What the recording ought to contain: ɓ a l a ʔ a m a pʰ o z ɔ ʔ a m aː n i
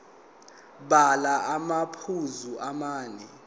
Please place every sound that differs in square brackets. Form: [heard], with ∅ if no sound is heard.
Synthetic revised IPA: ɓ a l a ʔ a m a pʰ [u] z [u] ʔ a m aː n [ɛ]